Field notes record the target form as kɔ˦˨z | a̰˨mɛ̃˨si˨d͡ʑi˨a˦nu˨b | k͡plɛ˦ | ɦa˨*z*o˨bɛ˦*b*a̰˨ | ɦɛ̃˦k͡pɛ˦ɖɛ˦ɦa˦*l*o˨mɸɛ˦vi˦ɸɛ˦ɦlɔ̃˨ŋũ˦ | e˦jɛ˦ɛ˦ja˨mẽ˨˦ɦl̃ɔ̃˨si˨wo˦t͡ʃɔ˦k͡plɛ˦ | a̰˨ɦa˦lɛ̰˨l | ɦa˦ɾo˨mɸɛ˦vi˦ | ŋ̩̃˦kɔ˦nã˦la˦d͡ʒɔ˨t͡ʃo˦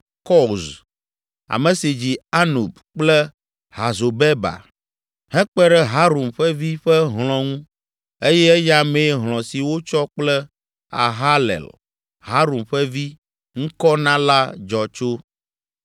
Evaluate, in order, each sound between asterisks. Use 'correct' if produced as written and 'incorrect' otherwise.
correct, correct, incorrect: ɾ

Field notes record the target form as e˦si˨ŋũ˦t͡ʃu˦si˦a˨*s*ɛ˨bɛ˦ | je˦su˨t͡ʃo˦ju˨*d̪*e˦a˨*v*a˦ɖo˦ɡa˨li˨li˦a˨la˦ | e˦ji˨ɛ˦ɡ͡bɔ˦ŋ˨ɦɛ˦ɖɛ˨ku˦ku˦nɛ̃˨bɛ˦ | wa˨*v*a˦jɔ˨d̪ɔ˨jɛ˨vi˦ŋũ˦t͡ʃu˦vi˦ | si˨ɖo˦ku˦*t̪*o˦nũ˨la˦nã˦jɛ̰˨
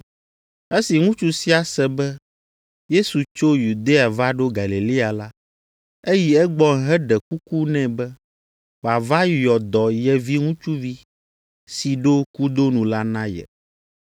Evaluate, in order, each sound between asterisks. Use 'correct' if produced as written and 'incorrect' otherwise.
correct, correct, correct, correct, incorrect: d̪

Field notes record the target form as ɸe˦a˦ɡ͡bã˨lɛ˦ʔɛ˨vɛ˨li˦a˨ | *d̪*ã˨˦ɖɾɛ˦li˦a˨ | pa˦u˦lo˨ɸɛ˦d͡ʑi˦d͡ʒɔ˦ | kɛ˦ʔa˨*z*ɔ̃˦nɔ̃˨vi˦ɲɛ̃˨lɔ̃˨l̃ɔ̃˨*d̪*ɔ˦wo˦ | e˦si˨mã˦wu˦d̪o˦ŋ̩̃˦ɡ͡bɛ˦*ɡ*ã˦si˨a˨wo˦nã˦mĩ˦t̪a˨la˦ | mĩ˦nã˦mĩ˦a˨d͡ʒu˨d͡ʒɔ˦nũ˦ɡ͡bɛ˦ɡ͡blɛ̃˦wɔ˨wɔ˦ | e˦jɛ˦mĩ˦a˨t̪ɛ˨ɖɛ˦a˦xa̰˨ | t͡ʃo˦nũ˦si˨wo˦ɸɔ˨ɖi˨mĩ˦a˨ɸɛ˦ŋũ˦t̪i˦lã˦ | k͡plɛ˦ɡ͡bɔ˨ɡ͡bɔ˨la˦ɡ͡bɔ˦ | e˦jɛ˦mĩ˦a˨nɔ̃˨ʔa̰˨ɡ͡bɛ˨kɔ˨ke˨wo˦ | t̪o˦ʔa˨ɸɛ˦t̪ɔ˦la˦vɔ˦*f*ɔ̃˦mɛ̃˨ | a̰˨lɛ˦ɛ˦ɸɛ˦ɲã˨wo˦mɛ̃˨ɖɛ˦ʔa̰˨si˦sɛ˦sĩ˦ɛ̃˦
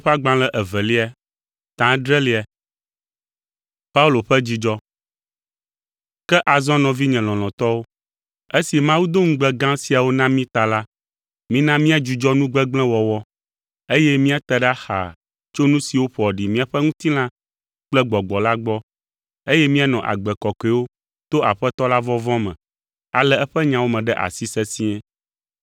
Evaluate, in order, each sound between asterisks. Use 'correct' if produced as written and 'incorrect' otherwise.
incorrect: t̪, correct, incorrect: t̪, correct, incorrect: v

